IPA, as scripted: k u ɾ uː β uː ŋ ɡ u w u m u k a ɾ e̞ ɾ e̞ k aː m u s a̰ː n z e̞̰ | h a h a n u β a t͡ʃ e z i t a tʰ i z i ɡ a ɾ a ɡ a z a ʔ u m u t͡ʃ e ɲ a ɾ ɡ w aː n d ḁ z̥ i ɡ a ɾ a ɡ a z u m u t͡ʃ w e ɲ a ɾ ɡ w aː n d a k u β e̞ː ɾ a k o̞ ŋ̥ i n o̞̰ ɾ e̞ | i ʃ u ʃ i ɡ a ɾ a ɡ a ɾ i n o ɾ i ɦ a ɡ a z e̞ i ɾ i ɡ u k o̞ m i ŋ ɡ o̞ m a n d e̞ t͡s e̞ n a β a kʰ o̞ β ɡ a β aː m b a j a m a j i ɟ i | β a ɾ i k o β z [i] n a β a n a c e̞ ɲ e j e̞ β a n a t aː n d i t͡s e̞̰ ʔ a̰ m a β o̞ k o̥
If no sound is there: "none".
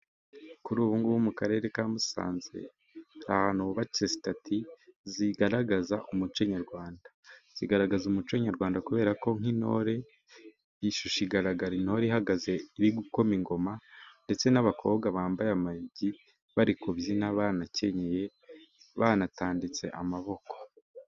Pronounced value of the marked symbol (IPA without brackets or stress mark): i